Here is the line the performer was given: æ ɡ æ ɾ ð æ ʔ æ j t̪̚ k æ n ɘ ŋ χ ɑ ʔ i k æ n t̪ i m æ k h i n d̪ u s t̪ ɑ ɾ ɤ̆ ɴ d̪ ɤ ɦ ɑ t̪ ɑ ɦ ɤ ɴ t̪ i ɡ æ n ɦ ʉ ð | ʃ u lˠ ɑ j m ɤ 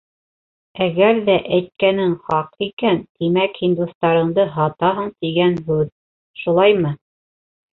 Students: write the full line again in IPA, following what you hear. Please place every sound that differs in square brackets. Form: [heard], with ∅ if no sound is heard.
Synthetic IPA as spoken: æ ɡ æ ɾ ð æ ʔ æ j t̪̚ k æ n ɘ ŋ χ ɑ [q] i k æ n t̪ i m æ k h i n d̪ u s t̪ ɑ ɾ ɤ̆ ɴ d̪ ɤ ɦ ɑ t̪ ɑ ɦ ɤ ɴ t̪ i ɡ æ n ɦ ʉ ð | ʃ u lˠ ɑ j m ɤ